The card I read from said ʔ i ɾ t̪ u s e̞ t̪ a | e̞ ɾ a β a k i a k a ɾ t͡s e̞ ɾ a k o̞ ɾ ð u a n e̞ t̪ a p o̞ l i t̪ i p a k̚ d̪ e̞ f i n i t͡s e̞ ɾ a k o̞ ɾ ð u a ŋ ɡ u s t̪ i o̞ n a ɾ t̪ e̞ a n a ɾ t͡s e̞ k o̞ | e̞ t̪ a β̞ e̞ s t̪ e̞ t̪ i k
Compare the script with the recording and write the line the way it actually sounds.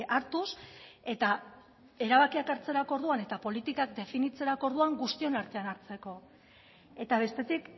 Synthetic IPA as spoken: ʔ a ɾ t̪ u s e̞ t̪ a | e̞ ɾ a β a k i a k a ɾ t͡s e̞ ɾ a k o̞ ɾ ð u a n e̞ t̪ a p o̞ l i t̪ i k a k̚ d̪ e̞ f i n i t͡s e̞ ɾ a k o̞ ɾ ð u a ŋ ɡ u s t̪ i o̞ n a ɾ t̪ e̞ a n a ɾ t͡s e̞ k o̞ | e̞ t̪ a β̞ e̞ s t̪ e̞ t̪ i k